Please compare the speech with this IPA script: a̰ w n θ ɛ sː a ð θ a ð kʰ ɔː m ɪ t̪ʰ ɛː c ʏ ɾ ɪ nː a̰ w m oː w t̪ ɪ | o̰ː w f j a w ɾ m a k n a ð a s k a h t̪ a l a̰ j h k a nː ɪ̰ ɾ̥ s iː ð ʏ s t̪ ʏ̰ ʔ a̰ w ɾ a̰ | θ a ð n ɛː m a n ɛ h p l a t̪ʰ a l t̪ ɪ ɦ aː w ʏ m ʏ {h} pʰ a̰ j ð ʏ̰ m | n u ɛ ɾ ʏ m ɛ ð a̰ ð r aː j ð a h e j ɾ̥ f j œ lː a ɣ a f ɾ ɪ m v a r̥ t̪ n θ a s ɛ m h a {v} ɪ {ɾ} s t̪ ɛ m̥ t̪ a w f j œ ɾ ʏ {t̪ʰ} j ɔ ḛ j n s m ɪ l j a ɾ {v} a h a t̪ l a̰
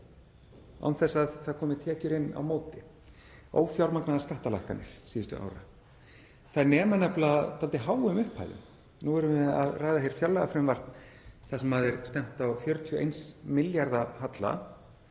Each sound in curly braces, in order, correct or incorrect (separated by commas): correct, incorrect, correct, correct, incorrect